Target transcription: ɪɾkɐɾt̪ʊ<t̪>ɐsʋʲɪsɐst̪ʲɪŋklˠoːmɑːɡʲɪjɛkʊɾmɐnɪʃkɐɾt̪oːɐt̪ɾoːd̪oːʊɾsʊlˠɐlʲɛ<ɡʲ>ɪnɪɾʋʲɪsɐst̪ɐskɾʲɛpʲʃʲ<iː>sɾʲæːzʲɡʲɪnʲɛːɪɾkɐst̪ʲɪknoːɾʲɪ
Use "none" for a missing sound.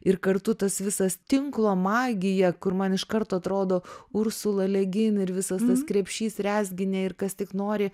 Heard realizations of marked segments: t̪, ɡʲ, iː

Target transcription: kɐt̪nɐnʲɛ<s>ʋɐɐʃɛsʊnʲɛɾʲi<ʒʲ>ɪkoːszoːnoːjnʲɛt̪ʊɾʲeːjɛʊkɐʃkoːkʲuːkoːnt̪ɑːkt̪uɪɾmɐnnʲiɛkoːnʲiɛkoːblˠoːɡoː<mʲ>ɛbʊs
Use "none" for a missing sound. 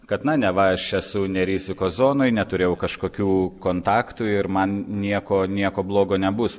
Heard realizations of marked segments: none, zʲ, nʲ

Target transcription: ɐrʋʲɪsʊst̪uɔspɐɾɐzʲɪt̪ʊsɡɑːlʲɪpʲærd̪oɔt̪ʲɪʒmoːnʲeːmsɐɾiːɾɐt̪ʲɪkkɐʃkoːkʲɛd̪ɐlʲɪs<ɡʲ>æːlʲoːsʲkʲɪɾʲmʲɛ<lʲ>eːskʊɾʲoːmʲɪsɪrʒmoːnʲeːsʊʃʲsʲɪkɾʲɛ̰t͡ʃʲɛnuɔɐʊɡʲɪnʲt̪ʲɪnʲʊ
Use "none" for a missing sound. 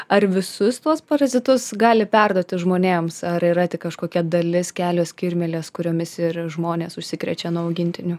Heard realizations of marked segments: kʲ, lʲ

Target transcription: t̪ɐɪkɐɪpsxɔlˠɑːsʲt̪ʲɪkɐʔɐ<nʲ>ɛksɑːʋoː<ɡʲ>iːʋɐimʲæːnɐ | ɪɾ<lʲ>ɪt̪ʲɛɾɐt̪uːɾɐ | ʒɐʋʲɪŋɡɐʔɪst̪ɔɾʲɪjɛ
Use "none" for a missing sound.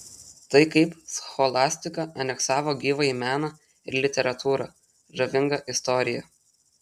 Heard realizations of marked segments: nʲ, ɡʲ, lʲ

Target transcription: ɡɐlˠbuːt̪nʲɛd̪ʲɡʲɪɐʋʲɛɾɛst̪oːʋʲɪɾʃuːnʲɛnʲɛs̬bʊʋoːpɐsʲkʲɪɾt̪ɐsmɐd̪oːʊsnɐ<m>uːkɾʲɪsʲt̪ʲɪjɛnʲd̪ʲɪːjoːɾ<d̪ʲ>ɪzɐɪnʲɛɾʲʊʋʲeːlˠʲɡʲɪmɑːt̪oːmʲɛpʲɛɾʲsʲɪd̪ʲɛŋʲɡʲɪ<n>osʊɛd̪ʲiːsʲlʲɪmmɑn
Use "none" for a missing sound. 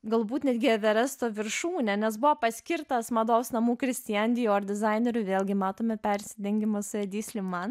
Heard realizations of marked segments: m, d̪ʲ, m

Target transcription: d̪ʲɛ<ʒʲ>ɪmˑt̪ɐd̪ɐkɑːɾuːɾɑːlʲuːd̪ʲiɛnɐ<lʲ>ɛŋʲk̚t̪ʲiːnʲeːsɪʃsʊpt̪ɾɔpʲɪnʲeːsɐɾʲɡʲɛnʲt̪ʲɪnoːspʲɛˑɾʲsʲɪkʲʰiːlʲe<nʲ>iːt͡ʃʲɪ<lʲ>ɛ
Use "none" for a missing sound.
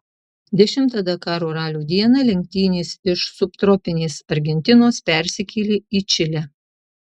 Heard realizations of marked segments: ʃʲ, lʲ, none, lʲ

